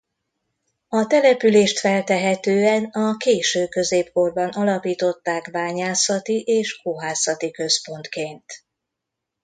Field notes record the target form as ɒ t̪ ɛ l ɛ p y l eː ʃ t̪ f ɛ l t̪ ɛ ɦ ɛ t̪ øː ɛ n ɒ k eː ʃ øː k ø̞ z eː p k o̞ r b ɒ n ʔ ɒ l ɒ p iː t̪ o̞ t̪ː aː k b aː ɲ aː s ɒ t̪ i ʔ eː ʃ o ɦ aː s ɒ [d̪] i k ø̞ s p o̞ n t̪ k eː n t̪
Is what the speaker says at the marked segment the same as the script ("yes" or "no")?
no